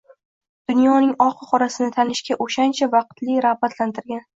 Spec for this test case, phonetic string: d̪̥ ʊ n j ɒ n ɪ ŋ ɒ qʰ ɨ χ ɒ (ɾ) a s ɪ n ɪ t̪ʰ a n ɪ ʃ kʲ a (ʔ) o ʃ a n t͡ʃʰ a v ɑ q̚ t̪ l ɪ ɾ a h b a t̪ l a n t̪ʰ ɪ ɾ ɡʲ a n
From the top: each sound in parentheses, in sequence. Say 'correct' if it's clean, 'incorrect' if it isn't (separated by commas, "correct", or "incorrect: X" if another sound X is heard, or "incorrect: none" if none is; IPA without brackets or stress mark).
correct, correct